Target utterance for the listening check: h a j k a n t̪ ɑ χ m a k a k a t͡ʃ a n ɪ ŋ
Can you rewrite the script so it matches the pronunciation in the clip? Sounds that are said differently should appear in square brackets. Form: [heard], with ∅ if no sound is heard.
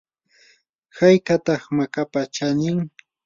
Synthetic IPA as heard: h a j k a [∅] t̪ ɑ χ m a k a [p] a t͡ʃ a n ɪ ŋ